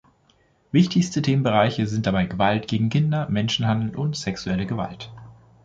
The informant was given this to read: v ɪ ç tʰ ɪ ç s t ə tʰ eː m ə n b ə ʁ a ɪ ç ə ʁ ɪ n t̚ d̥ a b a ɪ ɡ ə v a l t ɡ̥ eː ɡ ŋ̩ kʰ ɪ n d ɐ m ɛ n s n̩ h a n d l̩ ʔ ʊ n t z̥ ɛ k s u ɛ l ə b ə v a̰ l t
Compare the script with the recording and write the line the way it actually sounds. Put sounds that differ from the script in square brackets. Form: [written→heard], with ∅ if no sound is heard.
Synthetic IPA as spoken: v ɪ ç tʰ ɪ ç s t ə tʰ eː m ə n b ə ʁ a ɪ ç ə [ʁ→z] ɪ n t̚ d̥ a b a ɪ ɡ ə v a l t ɡ̥ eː ɡ ŋ̩ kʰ ɪ n d ɐ m ɛ n [s→ʃ] n̩ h a n d l̩ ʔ ʊ n t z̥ ɛ k s u ɛ l ə [b→ɡ] ə v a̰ l t